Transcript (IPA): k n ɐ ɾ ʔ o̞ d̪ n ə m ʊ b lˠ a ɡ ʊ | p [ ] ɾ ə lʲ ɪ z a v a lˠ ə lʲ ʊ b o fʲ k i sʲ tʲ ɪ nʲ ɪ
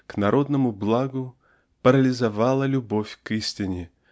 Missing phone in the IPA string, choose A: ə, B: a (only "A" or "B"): A